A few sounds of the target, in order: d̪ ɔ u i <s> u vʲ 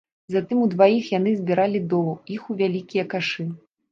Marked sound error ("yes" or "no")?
yes